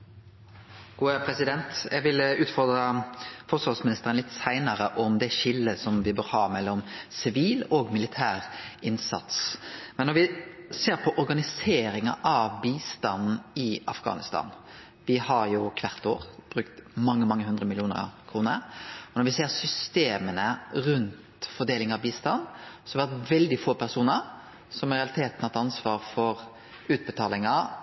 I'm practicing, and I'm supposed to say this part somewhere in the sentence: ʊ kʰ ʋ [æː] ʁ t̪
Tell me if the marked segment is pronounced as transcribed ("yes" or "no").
no